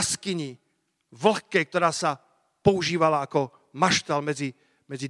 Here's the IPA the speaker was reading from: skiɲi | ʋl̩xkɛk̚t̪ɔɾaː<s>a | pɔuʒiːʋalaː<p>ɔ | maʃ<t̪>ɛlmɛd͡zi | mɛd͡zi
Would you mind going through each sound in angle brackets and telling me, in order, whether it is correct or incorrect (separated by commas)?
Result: correct, incorrect, correct